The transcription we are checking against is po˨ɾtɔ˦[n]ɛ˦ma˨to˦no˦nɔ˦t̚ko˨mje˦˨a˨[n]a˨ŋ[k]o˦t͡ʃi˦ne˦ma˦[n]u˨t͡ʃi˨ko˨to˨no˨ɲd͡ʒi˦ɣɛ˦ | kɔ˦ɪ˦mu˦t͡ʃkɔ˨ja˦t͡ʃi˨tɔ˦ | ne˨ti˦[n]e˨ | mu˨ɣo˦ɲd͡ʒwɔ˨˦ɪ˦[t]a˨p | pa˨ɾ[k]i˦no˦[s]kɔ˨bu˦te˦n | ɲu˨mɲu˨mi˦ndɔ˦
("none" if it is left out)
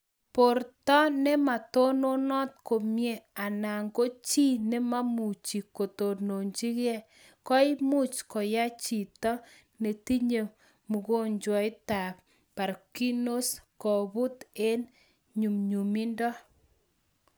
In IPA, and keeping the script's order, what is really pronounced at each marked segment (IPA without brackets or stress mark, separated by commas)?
n, n, ɡ, m, ɲ, t, k, s